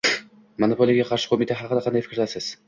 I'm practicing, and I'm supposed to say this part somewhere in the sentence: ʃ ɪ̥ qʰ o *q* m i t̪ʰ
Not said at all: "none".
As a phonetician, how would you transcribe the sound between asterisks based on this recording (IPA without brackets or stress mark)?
none